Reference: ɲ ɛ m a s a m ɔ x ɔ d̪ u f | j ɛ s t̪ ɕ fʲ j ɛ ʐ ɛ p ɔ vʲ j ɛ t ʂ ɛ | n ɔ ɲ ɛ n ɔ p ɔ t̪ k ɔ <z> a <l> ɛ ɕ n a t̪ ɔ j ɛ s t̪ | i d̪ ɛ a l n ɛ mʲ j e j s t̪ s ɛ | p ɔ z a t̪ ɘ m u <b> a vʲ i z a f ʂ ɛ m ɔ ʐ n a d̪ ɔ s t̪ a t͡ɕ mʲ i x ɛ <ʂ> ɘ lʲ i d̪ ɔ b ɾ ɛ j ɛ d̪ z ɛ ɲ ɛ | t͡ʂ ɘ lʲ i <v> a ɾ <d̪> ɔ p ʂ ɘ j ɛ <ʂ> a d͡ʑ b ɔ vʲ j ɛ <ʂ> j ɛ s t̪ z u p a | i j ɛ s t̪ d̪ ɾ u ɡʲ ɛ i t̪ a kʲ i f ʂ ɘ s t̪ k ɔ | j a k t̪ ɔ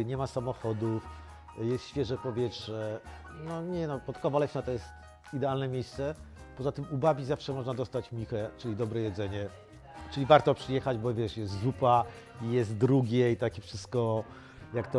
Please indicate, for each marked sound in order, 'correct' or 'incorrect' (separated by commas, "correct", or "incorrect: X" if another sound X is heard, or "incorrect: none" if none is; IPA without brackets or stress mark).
incorrect: v, correct, correct, incorrect: t͡ʂ, correct, incorrect: t̪, incorrect: x, correct